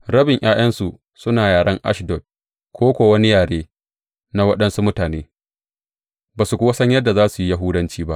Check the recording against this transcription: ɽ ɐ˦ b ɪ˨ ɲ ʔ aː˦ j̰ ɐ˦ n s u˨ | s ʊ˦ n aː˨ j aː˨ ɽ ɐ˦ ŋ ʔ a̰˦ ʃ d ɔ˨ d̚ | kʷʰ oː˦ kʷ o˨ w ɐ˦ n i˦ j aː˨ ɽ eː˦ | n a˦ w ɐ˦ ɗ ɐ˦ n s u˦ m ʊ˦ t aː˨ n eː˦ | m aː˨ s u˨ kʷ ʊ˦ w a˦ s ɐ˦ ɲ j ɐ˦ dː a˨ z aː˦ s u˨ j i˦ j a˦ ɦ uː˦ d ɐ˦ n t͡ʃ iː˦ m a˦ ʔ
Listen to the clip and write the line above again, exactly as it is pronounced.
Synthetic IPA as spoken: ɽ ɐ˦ b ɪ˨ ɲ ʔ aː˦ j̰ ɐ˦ n s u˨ | s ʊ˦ n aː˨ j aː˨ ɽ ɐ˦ ŋ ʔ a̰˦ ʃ d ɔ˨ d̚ | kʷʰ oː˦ kʷ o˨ w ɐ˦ n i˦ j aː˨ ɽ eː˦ | n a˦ w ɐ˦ ɗ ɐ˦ n s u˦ m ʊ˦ t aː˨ n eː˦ | b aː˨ s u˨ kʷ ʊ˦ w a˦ s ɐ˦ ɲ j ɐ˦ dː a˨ z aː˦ s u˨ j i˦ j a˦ ɦ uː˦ d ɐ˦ n t͡ʃ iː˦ b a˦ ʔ